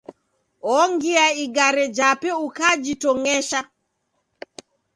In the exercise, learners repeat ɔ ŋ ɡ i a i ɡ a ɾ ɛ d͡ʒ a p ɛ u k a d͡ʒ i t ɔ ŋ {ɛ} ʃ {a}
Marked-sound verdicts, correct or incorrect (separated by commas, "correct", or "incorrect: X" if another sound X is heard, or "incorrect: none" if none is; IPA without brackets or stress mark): correct, correct